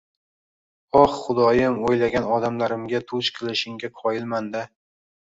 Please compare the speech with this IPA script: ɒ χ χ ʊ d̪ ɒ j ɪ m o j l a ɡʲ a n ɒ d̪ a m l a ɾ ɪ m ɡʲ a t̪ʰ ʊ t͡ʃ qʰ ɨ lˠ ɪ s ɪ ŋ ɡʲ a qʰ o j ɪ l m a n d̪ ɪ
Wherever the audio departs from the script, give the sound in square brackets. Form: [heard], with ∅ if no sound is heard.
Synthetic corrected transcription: ɒ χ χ ʊ d̪ ɒ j ɪ m o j l a ɡʲ a n ɒ d̪ a m l a ɾ ɪ m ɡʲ a t̪ʰ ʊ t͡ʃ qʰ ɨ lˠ ɪ [ʃ] ɪ ŋ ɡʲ a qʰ [ɒ] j ɪ l m a n d̪ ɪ